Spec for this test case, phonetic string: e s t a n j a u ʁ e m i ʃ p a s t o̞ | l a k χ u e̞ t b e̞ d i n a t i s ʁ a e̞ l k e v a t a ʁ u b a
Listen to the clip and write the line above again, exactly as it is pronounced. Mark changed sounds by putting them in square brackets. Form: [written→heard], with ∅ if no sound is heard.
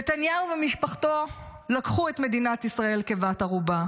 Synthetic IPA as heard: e [s→∅] t a n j a u [ʁ→v] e m i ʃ p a [s→χ] t o̞ | l a k χ u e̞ t [b→m] e̞ d i n a t i s ʁ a e̞ l k e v a t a ʁ u b a